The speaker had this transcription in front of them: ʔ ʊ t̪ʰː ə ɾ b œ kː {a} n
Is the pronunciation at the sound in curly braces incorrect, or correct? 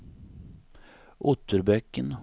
incorrect